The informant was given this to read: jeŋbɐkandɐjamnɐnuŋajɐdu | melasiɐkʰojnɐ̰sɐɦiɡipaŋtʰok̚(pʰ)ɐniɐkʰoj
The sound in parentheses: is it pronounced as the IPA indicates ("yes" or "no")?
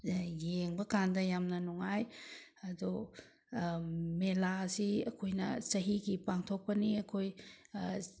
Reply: no